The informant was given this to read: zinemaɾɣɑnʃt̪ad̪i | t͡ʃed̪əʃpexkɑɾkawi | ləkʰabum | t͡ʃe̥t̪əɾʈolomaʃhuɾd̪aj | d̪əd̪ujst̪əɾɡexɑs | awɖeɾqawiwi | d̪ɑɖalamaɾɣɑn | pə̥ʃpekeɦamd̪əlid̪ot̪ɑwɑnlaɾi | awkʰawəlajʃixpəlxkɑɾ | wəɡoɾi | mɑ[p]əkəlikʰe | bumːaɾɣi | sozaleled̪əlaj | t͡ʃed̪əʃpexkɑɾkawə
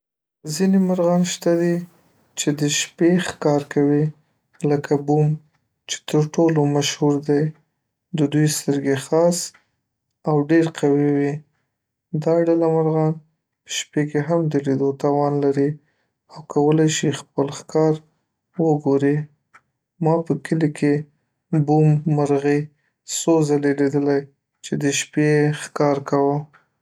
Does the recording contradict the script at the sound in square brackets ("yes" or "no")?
no